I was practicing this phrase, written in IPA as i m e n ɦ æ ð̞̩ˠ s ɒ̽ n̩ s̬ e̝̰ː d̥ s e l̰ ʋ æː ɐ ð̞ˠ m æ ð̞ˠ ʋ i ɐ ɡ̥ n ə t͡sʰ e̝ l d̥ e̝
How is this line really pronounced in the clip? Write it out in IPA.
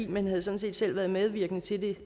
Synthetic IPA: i m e n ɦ æ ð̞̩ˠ s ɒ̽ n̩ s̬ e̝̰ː d̥ s e l̰ ʋ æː ɐ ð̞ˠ m e ð̞ˠ ʋ i ɐ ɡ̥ n ə t͡sʰ e̝ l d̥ e̝